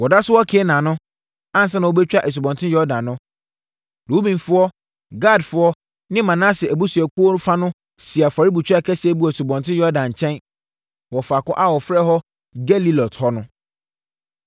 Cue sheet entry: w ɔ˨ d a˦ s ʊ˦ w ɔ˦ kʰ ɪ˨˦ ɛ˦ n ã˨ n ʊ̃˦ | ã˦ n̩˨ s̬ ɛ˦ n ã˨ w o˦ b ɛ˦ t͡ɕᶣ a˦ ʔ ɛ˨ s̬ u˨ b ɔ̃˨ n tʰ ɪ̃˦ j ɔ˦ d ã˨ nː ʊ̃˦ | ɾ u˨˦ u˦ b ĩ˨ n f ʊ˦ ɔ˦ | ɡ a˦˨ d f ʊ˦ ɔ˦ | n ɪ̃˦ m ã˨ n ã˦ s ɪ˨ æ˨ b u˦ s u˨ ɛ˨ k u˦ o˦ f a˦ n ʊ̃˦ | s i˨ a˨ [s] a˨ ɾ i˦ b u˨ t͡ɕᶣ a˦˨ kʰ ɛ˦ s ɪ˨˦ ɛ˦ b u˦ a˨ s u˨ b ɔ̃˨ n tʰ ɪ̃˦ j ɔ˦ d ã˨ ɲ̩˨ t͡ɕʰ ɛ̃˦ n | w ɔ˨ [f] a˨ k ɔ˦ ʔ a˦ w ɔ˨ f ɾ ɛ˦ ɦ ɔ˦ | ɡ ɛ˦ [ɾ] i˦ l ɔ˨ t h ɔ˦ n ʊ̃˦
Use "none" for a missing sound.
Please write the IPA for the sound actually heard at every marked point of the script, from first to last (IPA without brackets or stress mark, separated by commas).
f, f, l